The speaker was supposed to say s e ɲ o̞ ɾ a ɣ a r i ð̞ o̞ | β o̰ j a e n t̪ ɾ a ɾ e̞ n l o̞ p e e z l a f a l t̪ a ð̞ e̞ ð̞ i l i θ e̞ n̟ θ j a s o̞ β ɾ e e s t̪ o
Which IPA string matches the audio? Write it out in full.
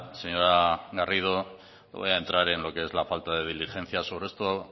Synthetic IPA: s e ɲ o̞ ɾ a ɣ a r i ð̞ o̞ | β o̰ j a e n t̪ ɾ a ɾ e̞ n l o̞ k e e z l a f a l t̪ a ð̞ e̞ ð̞ i l i x e̞ n̟ θ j a s o̞ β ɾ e e s t̪ o